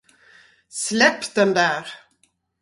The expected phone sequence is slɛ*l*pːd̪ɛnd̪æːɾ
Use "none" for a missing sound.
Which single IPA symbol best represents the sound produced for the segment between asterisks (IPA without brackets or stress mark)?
none